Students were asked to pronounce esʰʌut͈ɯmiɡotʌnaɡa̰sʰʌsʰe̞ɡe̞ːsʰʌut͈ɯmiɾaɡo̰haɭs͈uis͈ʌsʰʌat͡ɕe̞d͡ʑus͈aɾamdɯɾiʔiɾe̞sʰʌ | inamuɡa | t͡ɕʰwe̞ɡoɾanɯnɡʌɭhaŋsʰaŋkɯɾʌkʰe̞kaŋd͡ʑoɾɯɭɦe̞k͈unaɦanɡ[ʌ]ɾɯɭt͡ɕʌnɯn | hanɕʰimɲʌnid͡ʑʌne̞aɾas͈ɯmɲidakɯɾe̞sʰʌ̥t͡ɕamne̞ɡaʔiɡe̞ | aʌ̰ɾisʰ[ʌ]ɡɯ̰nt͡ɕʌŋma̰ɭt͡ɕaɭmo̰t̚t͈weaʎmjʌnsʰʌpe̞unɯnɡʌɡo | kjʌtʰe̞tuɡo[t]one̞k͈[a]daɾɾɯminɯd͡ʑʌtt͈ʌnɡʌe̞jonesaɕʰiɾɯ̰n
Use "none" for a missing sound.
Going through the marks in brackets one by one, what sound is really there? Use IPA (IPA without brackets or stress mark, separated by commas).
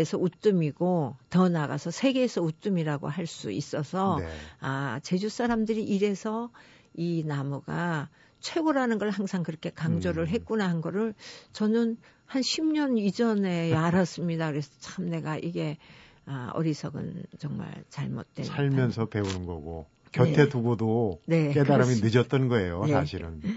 ʌ, ʌ, d, e